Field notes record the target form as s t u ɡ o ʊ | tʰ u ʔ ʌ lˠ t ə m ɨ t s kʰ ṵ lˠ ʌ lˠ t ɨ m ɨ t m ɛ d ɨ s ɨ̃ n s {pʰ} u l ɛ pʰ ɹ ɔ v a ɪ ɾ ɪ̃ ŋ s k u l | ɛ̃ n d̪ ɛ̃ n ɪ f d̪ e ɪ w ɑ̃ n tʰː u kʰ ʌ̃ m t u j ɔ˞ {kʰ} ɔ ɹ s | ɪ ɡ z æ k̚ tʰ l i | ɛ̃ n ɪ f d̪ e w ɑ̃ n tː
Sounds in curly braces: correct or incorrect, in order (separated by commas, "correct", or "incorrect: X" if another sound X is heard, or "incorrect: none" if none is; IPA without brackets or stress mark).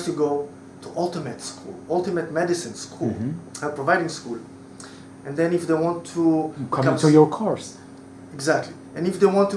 incorrect: kʰ, correct